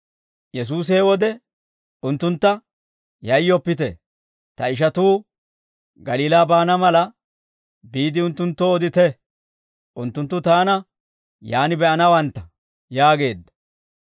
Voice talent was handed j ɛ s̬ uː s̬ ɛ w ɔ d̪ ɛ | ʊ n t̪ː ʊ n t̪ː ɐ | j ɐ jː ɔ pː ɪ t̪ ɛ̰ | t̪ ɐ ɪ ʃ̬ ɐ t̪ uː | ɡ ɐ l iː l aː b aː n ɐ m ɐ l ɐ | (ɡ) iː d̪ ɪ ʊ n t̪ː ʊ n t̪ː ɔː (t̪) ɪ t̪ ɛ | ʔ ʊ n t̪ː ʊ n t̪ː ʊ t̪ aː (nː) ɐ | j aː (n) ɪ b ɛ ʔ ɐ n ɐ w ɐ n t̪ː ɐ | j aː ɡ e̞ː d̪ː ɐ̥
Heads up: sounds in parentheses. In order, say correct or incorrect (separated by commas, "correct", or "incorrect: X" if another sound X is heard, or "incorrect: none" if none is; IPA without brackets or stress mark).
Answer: incorrect: b, incorrect: d̪, incorrect: n, correct